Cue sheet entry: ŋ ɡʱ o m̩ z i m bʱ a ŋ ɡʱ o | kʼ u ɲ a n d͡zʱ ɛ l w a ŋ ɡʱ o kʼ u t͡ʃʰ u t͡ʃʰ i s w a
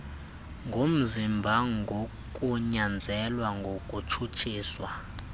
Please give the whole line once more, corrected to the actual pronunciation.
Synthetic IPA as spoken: ŋ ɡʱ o m̩ z i m bʱ a ŋ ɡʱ o | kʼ u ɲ a n d͡zʱ ɛ l w a ŋ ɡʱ o kʼ u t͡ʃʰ u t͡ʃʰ iː s w a